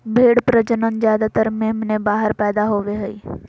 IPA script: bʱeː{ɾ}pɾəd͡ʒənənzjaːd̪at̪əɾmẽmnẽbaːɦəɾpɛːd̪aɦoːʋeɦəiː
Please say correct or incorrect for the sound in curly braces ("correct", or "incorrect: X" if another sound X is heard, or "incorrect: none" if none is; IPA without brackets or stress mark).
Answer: incorrect: ɽ